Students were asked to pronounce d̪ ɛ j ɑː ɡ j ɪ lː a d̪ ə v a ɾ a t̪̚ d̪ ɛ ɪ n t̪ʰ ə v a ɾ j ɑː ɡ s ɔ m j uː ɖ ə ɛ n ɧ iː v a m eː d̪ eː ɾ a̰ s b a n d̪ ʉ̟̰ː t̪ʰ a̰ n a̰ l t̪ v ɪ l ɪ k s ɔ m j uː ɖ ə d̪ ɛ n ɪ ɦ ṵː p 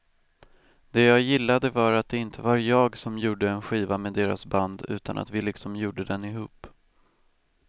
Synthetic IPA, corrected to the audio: d̪ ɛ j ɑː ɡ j ɪ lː a d̪ ə v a ɾ a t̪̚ d̪ ɛ ɪ n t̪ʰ ə v a ɾ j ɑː ɡ s ɔ m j uː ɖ ə ɛ n ɧ iː v a m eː d̪ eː ɾ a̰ s b a n d̪ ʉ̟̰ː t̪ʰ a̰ n a̰ t̪ v ɪ l ɪ k s ɔ m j uː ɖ ə d̪ ɛ n ɪ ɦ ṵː p

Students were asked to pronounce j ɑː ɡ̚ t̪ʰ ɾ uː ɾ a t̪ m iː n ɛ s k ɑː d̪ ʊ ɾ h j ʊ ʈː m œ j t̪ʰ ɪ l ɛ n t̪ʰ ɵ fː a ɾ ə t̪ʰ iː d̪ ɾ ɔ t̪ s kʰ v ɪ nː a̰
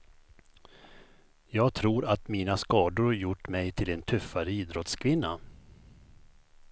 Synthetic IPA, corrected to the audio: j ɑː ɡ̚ t̪ʰ ɾ uː ɾ a t̪ m iː n a s k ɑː d̪ ʊ ɾ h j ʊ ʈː m ɛ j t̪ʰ ɪ l ɛ n t̪ʰ ɵ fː a ɾ ə iː d̪ ɾ ɔ t̪ s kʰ v ɪ nː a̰

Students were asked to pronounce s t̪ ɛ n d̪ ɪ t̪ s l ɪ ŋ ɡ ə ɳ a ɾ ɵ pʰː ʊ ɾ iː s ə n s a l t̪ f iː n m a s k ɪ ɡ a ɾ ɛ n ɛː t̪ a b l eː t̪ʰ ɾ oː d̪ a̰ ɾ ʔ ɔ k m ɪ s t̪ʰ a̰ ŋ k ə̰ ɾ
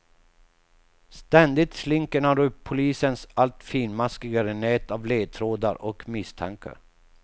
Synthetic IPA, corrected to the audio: s t̪ ɛ n d̪ ɪ t̪ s l ɪ ŋ k ə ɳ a ɾ ɵ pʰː ʊ l iː s ə n s a l t̪ f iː n m a s k ɪ ɡ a ɾ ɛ n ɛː t̪ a v l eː t̪ʰ ɾ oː d̪ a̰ ɾ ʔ ɔ k m ɪ s t̪ʰ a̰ ŋ k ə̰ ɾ

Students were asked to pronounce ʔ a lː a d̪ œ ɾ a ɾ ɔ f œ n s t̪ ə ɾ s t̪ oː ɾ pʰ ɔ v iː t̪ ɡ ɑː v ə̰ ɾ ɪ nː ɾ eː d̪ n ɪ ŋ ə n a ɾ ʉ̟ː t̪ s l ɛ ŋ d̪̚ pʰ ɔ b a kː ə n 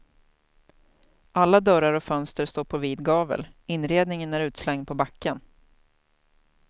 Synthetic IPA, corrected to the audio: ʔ a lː a d̪ œ ɾ a ɾ ɔ f œ n s t̪ ə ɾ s t̪ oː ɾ pʰ ɔ v iː d̪ ɡ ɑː v ə̰ l ɪ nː ɾ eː d̪ n ɪ ŋ ə n æ ɾ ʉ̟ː t̪ s l ɛ ŋ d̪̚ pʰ ɔ b a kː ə n

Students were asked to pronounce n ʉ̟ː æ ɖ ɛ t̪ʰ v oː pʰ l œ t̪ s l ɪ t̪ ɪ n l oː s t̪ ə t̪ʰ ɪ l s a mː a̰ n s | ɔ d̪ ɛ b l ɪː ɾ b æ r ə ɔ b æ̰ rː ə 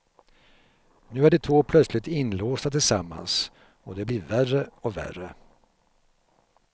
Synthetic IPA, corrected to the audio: n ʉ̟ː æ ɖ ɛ t̪ʰ v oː pʰ l œ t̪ s l ɪ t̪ ɪ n l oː s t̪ a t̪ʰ ɪ l s a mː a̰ n s | ɔ d̪ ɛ b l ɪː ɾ v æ r ə ɔ v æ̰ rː ə

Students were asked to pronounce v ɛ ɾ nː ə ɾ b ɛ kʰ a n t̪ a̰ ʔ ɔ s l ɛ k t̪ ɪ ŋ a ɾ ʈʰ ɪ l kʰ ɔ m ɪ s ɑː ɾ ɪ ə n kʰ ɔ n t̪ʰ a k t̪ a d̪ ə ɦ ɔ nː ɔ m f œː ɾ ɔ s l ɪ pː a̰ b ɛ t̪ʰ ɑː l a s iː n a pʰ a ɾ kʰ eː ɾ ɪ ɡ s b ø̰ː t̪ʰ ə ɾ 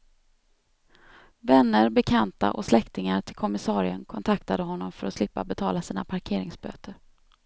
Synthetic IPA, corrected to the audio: v ɛ nː ə ɾ b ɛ kʰ a n t̪ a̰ ʔ ɔ s l ɛ k t̪ ɪ ŋ a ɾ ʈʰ ɪ l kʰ ɔ m ɪ s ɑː ɾ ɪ ə n kʰ ɔ n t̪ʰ a k t̪ a d̪ ə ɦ ɔ nː ɔ m f œ ɾ ɔ s l ɪ pː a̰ b ɛ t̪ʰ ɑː l a s iː n a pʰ a ɾ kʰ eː ɾ ɪ ŋ s b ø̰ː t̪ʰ ə ɾ

